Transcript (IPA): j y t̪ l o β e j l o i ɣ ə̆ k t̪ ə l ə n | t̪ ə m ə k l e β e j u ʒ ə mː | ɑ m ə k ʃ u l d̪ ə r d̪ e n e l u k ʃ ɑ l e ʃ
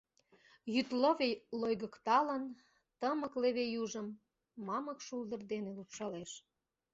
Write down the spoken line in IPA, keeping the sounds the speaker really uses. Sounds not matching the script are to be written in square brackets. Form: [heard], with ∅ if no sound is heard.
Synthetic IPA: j y t̪ l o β e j l o [j] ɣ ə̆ k t̪ [ɑ] l ə n | t̪ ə m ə k l e β e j u ʒ ə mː | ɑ m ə k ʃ u l d̪ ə r d̪ e n e l u [p] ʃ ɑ l e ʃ